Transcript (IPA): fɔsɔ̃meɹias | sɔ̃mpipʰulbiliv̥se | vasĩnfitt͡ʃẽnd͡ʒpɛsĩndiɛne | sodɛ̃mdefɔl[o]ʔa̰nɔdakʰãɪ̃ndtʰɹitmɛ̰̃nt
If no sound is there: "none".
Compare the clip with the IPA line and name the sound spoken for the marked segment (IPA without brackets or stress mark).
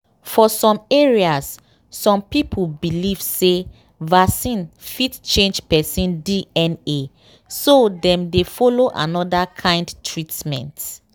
o